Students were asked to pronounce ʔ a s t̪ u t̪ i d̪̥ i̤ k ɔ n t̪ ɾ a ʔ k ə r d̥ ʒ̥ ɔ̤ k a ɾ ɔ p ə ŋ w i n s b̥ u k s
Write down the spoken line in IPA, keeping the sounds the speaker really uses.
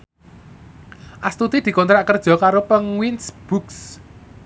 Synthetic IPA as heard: ʔ a s t̪ u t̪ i d̪̥ i̤ k ɔ n t̪ ɾ a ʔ k ə r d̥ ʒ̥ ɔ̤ k a ɾ o p ə ŋ w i n s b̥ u k s